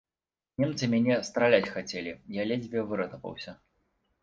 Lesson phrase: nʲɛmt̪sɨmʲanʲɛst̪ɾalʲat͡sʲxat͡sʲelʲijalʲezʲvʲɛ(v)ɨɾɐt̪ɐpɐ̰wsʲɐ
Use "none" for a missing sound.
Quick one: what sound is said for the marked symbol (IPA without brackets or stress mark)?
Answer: v